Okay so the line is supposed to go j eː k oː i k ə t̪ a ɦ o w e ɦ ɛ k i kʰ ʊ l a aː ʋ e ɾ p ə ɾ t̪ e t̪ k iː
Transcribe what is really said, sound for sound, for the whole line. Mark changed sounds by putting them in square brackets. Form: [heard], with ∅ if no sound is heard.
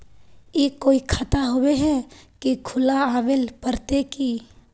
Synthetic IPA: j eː k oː i [kʰ] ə t̪ a ɦ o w e ɦ ɛ k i kʰ ʊ l a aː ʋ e [l] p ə ɾ t̪ e [∅] k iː